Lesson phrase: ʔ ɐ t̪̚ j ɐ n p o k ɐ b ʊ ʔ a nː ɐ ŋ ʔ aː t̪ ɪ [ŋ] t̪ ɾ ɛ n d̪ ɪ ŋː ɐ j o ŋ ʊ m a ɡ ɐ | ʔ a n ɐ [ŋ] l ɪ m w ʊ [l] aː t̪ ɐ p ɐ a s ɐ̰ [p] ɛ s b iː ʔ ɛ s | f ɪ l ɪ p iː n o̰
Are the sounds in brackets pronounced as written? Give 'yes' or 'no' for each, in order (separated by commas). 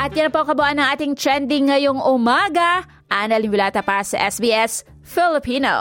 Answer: yes, no, yes, no